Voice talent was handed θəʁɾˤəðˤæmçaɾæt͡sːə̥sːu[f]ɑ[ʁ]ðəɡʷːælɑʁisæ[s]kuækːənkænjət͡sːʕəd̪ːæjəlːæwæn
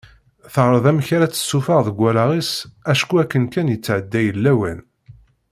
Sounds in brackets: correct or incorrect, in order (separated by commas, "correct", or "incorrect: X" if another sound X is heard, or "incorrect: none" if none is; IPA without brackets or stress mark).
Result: correct, correct, incorrect: ʃ